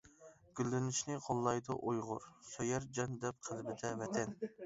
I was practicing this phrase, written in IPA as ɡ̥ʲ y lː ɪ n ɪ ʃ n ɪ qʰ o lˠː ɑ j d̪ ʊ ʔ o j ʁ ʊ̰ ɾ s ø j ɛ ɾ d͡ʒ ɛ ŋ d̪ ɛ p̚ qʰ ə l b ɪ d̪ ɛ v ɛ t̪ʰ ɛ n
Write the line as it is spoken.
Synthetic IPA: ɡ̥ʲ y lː ɪ n ɪ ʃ n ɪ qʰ o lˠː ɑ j d̪ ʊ ʔ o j ʁ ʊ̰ ɾ s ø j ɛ ɾ d͡ʒ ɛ n d̪ ɛ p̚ qʰ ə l b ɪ d̪ ɛ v ɛ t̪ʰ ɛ n